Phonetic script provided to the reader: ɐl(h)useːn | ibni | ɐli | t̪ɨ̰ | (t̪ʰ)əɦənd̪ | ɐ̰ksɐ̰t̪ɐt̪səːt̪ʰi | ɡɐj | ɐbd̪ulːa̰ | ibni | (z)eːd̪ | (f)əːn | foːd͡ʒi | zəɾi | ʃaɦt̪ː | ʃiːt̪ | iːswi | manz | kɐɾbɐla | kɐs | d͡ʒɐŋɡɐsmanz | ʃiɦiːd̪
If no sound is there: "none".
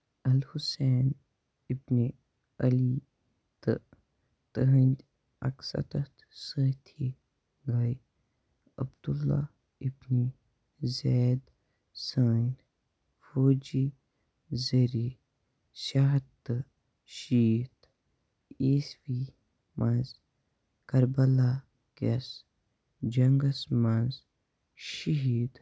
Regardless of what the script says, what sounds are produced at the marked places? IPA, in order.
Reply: h, t̪, z, s

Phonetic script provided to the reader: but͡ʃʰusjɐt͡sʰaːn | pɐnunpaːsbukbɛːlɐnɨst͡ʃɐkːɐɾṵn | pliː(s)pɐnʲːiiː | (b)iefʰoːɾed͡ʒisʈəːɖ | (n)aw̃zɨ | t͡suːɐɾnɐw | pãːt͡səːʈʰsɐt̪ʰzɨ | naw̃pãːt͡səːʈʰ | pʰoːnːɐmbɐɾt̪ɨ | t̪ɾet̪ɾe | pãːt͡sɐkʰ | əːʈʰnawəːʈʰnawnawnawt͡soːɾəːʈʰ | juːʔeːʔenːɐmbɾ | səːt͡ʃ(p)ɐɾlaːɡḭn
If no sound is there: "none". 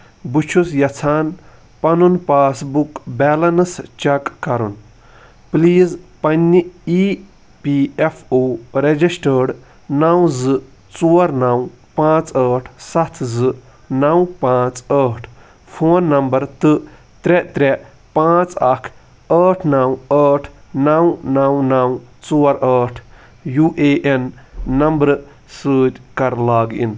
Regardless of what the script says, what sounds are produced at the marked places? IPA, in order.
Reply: z, p, n, k

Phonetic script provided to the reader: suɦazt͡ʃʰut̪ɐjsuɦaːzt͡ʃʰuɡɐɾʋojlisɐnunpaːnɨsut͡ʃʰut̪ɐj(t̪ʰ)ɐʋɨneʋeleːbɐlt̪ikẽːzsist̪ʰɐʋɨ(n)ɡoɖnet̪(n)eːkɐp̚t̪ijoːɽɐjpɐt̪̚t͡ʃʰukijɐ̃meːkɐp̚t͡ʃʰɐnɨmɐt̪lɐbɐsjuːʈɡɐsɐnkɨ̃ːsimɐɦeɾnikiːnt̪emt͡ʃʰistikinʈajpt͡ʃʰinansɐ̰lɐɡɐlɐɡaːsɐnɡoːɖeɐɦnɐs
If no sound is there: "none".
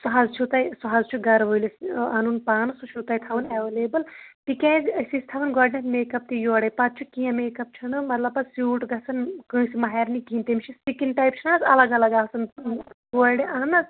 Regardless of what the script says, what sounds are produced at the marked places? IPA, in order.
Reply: t̪ʰ, n, m

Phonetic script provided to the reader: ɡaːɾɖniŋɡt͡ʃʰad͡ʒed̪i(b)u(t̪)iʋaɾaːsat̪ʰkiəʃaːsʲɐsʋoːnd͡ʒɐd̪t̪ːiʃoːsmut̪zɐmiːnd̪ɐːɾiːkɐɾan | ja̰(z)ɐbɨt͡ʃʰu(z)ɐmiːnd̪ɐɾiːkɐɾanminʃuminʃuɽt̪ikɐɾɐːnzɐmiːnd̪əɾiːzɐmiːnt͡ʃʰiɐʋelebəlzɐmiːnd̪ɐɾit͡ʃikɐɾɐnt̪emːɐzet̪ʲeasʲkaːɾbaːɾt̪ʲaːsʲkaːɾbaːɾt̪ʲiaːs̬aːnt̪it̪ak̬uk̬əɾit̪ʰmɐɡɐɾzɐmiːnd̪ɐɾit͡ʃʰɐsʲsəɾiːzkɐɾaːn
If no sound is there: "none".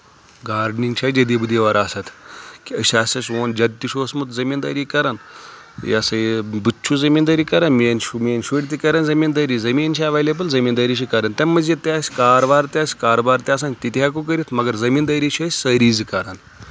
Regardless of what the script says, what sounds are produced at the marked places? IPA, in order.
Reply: b, d̪, s, z

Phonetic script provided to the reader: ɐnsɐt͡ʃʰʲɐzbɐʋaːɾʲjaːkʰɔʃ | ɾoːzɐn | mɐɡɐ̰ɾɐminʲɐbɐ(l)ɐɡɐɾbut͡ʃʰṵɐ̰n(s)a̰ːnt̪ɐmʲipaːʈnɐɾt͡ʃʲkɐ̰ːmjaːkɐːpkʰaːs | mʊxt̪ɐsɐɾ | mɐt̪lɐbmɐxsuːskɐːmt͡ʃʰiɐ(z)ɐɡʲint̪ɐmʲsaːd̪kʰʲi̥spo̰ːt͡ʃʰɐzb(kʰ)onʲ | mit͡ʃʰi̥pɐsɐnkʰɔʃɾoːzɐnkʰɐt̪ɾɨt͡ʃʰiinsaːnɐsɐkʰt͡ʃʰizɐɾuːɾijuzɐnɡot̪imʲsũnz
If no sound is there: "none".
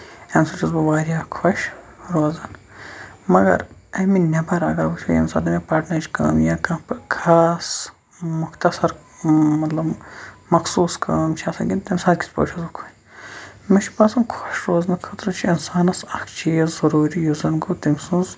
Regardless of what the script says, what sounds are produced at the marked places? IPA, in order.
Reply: ɾ, s, s, kʰ

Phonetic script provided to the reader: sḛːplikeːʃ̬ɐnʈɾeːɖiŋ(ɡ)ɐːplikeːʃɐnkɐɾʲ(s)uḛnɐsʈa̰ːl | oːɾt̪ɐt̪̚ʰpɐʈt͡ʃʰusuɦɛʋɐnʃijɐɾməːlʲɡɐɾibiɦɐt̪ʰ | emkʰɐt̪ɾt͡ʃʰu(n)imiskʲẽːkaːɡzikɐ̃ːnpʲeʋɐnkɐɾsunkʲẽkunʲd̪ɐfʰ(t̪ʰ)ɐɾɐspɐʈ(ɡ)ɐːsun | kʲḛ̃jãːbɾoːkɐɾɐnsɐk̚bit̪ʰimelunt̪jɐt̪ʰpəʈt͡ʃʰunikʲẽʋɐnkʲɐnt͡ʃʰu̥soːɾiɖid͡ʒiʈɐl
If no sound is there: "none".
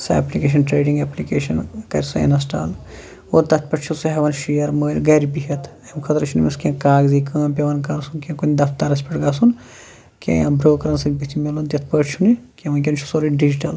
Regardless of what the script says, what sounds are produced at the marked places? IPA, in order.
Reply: ɡ, s, n, t̪, ɡ

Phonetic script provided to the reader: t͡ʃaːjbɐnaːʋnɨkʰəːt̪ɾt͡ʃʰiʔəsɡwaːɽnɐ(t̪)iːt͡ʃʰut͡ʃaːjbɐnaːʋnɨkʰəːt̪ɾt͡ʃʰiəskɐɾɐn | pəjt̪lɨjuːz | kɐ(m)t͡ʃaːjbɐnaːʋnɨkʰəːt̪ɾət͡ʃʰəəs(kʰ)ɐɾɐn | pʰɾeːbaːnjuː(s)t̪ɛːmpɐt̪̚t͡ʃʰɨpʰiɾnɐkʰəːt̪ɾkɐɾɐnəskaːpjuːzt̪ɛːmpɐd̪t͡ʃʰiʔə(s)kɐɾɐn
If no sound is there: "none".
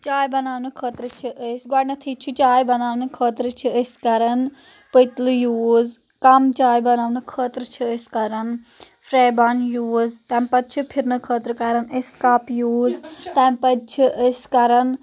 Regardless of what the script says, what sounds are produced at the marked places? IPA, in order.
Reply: t̪ʰ, m, k, z, s

